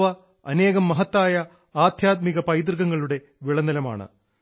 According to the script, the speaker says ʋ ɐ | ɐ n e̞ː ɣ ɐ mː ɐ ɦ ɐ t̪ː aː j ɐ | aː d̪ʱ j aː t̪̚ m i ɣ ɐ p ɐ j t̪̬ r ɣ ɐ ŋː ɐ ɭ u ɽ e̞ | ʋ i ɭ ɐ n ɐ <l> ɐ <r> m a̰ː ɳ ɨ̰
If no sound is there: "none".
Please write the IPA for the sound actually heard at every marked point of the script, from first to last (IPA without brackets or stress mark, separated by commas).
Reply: l, none